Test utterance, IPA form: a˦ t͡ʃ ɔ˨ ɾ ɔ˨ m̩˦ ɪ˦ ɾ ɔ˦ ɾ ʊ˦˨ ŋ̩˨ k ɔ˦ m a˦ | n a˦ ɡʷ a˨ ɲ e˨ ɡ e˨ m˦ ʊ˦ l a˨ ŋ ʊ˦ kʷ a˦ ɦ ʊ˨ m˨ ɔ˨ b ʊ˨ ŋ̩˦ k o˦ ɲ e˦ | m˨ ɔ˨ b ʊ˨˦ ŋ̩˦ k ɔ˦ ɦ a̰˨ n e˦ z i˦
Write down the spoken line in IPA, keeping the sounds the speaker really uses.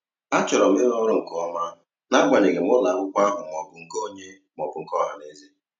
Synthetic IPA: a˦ t͡ʃ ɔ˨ ɾ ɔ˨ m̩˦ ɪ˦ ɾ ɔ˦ ɾ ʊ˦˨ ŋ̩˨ k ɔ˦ m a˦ | n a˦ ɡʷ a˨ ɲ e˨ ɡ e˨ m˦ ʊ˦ l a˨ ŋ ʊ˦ kʷ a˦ ɦ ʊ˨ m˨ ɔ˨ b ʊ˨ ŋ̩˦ k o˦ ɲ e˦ | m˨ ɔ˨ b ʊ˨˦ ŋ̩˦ k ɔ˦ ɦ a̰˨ n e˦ z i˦